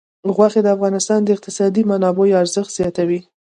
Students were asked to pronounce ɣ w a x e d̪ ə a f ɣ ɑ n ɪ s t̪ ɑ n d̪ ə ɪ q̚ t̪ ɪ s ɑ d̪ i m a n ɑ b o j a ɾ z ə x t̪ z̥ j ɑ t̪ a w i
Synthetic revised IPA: ɣ w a x e d̪ ə a f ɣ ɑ n ɪ s t̪ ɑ n d̪ ə ɪ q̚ t̪ ɪ s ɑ d̪ i m a n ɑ b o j a ɾ z ə x t̪ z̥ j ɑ t̪ a w i